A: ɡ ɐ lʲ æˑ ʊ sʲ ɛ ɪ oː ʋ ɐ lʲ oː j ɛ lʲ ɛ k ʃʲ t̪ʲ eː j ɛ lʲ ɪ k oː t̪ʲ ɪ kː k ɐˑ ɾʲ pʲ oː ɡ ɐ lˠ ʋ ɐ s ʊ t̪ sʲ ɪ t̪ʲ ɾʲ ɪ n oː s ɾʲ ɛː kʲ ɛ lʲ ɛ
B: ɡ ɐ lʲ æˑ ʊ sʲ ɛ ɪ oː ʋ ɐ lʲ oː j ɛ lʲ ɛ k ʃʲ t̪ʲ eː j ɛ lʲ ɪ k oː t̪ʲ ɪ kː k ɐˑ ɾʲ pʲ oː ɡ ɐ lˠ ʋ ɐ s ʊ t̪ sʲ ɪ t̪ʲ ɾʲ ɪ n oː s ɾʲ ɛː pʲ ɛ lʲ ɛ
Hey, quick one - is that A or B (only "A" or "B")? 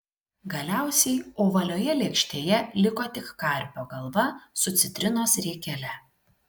A